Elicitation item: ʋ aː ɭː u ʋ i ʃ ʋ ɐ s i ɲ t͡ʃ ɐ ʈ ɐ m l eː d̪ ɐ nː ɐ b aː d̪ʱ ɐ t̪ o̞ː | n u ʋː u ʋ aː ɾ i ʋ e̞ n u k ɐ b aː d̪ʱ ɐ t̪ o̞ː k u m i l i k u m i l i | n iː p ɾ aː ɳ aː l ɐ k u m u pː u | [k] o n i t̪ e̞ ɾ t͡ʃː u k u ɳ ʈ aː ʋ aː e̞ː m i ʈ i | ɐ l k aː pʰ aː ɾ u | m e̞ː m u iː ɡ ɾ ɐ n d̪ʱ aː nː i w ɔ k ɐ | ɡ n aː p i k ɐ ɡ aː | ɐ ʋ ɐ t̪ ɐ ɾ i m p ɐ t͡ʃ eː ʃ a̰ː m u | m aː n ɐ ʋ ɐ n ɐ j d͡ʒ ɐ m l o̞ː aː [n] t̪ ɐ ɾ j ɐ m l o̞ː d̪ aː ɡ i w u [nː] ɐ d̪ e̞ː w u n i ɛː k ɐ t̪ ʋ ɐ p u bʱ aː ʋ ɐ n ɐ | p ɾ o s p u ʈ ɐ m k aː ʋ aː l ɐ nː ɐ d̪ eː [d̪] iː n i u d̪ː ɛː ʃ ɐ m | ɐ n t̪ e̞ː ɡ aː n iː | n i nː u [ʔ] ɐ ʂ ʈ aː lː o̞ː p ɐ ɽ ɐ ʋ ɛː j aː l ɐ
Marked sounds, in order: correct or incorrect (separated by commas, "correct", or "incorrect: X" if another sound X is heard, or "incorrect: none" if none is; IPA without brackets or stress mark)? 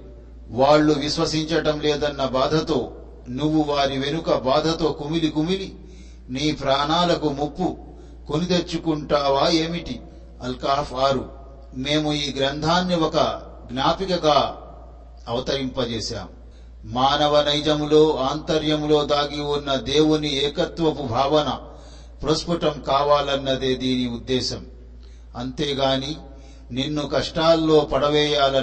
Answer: correct, correct, correct, correct, incorrect: k